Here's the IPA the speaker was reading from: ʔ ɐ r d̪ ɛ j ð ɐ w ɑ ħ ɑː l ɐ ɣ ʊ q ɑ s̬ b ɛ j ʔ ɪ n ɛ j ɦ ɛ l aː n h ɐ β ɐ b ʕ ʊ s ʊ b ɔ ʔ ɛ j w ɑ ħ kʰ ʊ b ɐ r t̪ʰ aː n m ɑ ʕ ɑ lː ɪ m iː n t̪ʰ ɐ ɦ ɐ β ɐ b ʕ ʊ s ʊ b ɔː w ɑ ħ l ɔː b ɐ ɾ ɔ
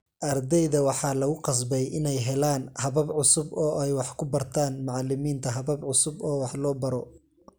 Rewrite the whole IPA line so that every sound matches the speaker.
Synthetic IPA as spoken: ʔ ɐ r d̪ ɛ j ð ɐ w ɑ ħ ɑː l ɐ ɣ ʊ q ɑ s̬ b ɛ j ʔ ɪ n ɛ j ɦ ɛ l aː n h ɐ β ɐ b ʕ ʊ s ʊ b ɔː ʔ ɛ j w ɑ ħ kʰ ʊ b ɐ r t̪ʰ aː n m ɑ ʕ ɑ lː ɪ m iː n t̪ʰ ɐ ɦ ɐ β ɐ b ʕ ʊ s ʊ b ɔː w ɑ ħ l ɔː b ɐ ɾ ɔ

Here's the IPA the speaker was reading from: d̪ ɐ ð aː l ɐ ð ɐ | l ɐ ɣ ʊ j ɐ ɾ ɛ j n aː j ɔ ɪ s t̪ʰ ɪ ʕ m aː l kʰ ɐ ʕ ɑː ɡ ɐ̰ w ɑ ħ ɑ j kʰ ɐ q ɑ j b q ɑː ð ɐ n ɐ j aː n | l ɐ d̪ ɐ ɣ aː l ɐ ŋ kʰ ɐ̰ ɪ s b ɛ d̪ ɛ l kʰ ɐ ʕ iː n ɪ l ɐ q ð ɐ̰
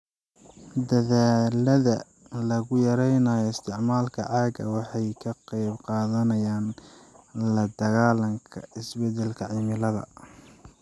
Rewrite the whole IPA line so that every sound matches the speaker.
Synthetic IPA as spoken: d̪ ɐ ð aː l ɐ ð ɐ | l ɐ ɣ ʊ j ɐ ɾ ɛ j n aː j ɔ ɪ s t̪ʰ ɪ ʕ m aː l kʰ ɐ ʕ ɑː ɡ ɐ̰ w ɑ ħ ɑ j kʰ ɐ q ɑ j b q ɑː ð ɐ n ɐ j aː n | l ɐ d̪ ɐ ɣ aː l ɐ ŋ kʰ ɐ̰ ɪ s b ɛ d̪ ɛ l kʰ ɐ ʕ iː m ɪ l ɐ ð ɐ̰

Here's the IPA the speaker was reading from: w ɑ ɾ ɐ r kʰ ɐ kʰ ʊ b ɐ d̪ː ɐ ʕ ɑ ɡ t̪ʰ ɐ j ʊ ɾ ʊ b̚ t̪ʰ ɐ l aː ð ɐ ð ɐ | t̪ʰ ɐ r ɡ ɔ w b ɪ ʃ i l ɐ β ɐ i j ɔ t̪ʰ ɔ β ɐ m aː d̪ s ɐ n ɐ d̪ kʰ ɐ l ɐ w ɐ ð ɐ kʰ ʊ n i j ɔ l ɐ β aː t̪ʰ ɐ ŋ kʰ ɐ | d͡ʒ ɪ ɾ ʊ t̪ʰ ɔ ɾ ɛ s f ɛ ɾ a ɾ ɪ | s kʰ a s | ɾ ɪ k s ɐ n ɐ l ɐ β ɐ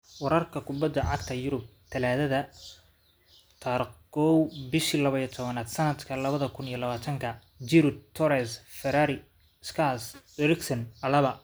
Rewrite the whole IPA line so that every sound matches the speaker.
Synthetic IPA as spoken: w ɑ ɾ ɐ r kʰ ɐ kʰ ʊ b ɐ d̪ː ɐ ʕ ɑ ɡ t̪ʰ ɐ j ʊ ɾ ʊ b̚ t̪ʰ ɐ l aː ð ɐ ð ɐ | t̪ʰ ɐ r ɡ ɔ w b ɪ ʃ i l ɐ β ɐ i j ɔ t̪ʰ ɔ β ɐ n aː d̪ s ɐ n ɐ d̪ kʰ ɐ l ɐ β ɐ ð ɐ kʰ ʊ n i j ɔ l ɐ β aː t̪ʰ ɐ ŋ kʰ ɐ | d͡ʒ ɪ ɾ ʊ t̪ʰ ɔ ɾ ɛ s f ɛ ɾ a ɾ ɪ | s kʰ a s | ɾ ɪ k s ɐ n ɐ l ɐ β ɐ

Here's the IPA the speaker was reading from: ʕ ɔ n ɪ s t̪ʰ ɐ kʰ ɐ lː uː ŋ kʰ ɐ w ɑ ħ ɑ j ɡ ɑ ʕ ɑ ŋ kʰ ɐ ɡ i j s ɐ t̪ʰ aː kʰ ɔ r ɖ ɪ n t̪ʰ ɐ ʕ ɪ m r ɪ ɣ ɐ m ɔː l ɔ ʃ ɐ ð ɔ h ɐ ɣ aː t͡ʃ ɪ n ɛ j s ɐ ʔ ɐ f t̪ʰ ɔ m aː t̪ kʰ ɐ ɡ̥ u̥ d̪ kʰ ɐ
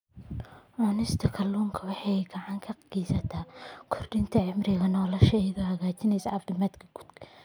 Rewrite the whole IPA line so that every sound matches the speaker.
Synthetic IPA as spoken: ʕ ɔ n ɪ s t̪ʰ ɐ kʰ ɐ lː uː ŋ kʰ ɐ w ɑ ħ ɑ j ɡ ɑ ʕ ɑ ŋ kʰ ɐ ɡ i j s ɐ t̪ʰ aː kʰ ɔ r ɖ ɪ n t̪ʰ ɐ ʕ ɪ m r ɪ ɣ ɐ n ɔː l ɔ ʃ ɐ ð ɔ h ɐ ɣ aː t͡ʃ ɪ n ɛ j s ɐ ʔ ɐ f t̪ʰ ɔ m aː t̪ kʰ ɐ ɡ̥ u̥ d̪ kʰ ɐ

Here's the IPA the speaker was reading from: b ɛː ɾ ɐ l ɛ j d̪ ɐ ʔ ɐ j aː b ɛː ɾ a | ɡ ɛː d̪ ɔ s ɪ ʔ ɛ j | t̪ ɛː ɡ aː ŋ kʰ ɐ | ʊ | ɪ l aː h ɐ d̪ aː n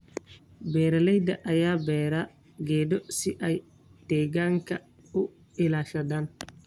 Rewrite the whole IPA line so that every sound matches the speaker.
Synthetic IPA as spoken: b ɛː ɾ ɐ l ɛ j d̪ ɐ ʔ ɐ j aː b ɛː ɾ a | ɡ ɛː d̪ ɔ s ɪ ʔ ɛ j | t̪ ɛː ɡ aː ŋ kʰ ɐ | ʊ | ɪ l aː ʃ ɐ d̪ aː n

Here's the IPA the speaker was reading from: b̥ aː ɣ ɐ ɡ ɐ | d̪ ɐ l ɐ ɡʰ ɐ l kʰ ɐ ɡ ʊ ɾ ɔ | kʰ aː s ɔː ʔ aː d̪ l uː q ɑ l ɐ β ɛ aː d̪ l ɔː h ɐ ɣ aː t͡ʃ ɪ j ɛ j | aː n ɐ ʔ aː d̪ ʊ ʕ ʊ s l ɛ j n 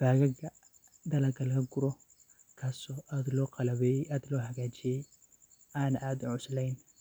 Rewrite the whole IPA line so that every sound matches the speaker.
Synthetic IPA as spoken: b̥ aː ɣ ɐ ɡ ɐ | d̪ ɐ l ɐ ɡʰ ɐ l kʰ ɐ ɡ ʊ ɾ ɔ | kʰ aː s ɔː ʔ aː d̪ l ɔː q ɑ l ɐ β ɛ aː d̪ l ɔː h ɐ ɣ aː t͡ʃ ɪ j ɛ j | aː n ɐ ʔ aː d̪ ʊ ʕ ʊ s l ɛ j n

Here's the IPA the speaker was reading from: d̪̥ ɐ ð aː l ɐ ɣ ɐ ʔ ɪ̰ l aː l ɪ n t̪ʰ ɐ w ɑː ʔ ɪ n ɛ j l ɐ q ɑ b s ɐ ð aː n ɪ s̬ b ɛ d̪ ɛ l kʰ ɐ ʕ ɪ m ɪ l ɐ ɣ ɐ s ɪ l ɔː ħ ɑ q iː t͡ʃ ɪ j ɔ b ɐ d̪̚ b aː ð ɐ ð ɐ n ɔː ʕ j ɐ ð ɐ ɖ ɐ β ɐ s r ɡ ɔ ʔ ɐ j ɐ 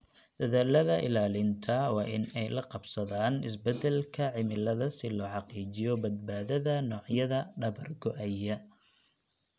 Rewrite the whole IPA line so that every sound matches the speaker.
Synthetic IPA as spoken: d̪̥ ɐ ð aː l ɐ ð ɐ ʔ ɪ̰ l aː l ɪ n t̪ʰ ɐ w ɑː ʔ ɪ n ɛ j l ɐ q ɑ b s ɐ ð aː n ɪ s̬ b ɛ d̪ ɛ l kʰ ɐ ʕ ɪ m ɪ l ɐ ð ɐ s ɪ l ɔː ħ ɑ q iː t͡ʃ ɪ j ɔ b ɐ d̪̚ b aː ð ɐ ð ɐ n ɔː ʕ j ɐ ð ɐ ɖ ɐ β ɐ r ɡ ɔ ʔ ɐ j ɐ

